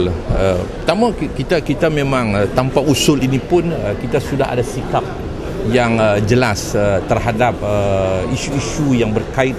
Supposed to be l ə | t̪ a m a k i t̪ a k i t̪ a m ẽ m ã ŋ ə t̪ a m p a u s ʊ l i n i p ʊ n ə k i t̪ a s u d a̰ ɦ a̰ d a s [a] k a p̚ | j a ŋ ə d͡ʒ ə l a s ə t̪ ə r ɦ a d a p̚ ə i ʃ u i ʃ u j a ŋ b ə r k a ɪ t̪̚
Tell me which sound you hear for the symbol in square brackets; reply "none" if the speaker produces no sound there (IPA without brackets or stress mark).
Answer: i